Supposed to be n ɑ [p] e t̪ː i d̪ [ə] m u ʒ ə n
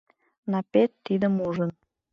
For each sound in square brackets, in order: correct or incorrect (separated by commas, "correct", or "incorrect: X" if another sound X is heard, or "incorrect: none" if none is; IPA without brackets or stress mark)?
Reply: correct, correct